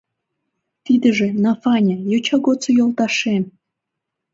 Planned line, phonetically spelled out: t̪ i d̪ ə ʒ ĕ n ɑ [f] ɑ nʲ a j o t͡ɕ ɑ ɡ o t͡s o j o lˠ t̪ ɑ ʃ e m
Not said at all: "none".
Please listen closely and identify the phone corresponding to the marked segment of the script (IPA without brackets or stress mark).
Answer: f